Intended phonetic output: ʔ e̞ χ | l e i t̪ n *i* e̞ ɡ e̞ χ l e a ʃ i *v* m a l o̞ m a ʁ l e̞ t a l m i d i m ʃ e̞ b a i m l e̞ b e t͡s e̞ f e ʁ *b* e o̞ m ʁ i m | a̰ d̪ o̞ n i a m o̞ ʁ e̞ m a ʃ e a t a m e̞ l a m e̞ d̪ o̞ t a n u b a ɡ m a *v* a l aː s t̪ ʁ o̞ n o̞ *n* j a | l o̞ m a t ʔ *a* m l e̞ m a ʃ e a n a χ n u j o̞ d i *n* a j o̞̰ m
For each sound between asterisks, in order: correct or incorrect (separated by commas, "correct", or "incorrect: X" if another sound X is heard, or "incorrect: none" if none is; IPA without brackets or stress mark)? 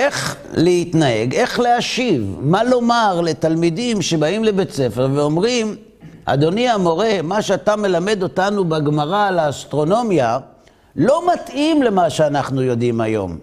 incorrect: a, correct, incorrect: v, incorrect: ʁ, incorrect: m, incorrect: i, incorrect: m